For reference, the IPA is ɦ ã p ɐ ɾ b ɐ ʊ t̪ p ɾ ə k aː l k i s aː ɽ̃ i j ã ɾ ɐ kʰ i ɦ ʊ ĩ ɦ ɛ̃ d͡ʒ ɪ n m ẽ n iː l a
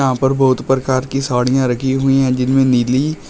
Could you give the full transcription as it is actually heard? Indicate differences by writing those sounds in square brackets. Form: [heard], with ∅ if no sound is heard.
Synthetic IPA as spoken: ɦ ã p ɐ ɾ b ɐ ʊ t̪ p ɾ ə k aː [ɾ] k i s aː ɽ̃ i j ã ɾ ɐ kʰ i ɦ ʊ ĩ ɦ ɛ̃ d͡ʒ ɪ n m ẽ n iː l [i]